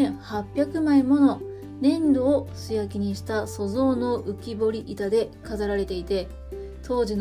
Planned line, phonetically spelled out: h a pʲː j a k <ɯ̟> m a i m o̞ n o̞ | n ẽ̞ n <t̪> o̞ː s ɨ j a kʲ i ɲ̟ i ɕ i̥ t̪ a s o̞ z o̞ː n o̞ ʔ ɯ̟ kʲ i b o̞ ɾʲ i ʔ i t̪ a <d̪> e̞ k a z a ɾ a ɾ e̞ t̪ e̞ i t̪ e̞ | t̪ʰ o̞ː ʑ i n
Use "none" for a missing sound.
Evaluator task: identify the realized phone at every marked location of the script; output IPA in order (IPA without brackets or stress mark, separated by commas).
ɯ̟, d̪, d̪